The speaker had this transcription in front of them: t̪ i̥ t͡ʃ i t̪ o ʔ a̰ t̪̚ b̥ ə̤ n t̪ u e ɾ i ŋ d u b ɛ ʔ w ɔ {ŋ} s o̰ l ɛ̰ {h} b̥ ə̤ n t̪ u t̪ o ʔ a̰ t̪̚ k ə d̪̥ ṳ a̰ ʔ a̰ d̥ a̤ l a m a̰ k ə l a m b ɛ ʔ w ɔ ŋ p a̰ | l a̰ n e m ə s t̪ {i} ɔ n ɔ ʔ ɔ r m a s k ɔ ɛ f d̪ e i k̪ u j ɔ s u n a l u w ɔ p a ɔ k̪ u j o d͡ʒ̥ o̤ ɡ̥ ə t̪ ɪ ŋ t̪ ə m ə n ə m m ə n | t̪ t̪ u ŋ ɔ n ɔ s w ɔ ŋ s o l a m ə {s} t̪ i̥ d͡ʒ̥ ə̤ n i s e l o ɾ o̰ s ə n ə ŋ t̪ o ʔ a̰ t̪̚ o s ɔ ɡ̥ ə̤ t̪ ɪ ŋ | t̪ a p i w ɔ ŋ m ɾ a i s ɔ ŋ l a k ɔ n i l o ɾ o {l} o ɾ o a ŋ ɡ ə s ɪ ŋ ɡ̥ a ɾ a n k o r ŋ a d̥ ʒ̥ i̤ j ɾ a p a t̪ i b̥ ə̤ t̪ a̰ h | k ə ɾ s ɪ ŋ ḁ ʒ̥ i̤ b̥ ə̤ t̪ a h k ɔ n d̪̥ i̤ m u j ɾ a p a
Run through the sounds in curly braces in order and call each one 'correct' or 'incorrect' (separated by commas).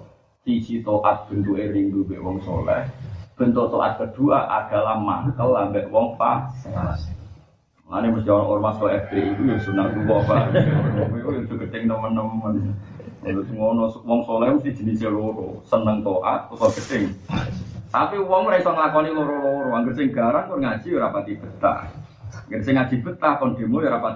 correct, correct, correct, correct, correct